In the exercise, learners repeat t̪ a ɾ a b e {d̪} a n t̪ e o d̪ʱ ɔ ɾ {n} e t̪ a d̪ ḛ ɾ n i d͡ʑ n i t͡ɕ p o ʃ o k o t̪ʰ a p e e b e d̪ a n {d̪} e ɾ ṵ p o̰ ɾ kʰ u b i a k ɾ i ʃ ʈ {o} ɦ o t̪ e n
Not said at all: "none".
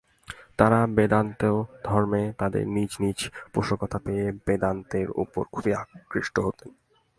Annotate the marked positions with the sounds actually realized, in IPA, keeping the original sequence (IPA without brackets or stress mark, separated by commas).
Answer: d̪, m, t̪, o